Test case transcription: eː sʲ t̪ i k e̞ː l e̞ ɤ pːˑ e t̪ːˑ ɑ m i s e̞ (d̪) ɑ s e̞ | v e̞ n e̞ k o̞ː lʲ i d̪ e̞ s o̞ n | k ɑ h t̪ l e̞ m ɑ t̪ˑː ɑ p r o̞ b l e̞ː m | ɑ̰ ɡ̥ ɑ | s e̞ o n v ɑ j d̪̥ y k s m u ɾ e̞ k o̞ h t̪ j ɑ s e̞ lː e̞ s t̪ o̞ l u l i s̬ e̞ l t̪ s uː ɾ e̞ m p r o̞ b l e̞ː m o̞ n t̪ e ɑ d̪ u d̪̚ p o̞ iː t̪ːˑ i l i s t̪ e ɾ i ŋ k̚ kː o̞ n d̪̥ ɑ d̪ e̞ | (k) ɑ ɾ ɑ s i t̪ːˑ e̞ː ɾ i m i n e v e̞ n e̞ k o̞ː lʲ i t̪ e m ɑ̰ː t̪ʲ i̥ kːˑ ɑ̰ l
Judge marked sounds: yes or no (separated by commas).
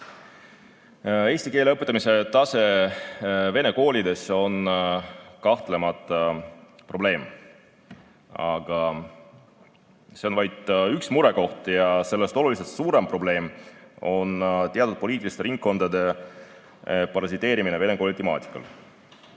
no, no